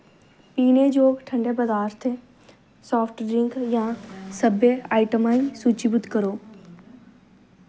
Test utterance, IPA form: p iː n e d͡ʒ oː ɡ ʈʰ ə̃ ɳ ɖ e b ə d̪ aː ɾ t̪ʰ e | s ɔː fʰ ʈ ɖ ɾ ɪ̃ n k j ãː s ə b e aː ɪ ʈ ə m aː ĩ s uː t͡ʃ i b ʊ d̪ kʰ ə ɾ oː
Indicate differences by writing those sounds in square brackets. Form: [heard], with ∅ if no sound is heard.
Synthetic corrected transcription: p iː n e d͡ʒ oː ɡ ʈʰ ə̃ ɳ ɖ e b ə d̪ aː ɾ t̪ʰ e | s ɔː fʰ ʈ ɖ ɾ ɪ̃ [ŋ] k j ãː s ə b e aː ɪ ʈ ə m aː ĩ s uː t͡ʃ i b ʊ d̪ [k] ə ɾ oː